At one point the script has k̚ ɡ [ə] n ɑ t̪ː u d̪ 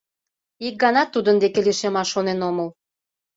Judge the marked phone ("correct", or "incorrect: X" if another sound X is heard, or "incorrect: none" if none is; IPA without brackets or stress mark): incorrect: ɑ